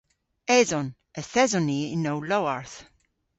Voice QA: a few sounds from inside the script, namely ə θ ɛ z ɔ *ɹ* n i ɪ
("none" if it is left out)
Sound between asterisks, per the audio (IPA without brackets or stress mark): none